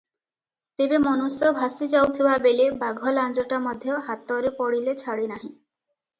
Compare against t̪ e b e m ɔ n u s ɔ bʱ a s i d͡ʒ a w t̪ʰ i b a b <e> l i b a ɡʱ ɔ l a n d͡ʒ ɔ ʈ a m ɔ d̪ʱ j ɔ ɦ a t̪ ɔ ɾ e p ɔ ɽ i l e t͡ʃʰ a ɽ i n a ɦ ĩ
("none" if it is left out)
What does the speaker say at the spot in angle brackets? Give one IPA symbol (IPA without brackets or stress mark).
e